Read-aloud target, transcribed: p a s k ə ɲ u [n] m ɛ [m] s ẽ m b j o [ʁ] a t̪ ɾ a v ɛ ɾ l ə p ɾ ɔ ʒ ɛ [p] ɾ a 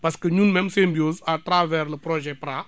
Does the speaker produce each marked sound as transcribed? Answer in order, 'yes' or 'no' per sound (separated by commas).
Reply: yes, yes, no, yes